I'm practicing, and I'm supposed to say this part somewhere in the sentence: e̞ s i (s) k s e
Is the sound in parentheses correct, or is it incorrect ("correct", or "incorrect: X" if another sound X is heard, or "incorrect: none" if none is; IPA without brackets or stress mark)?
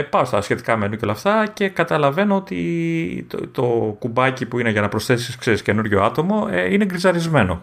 correct